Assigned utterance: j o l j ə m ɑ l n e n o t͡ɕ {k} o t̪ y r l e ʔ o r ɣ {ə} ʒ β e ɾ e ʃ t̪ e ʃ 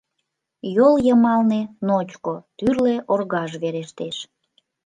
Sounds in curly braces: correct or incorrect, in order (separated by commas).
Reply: correct, incorrect